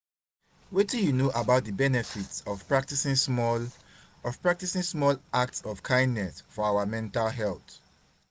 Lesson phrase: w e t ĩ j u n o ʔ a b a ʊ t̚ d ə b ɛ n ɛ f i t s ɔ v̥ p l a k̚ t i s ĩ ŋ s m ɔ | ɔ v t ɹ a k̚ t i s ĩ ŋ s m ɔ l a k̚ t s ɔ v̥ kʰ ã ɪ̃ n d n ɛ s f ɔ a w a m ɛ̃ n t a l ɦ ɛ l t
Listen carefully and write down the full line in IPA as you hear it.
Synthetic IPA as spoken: w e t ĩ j u n o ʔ a b a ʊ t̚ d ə b ɛ n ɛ f i t s ɔ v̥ p ɹ a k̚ t i s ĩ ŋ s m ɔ | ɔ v p ɹ a k̚ t i s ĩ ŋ s m ɔ l a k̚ t s ɔ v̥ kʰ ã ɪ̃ n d n ɛ s f ɔ a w a m ɛ̃ n t a l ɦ ɛ l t